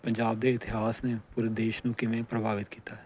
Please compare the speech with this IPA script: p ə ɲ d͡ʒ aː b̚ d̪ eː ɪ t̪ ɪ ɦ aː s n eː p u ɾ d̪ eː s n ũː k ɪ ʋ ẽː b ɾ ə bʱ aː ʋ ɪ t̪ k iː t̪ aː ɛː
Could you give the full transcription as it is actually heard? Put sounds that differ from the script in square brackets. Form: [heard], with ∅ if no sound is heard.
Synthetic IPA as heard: p ə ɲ d͡ʒ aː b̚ d̪ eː ɪ t̪ ɪ ɦ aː s n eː p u ɾ d̪ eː [ʃ] n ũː k ɪ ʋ ẽː [p] ɾ ə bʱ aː ʋ ɪ t̪ k iː t̪ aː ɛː